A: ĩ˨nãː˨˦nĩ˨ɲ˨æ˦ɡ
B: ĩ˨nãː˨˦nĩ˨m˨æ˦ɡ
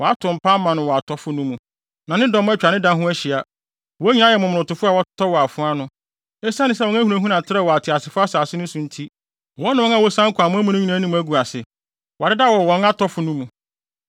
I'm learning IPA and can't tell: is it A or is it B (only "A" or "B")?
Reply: B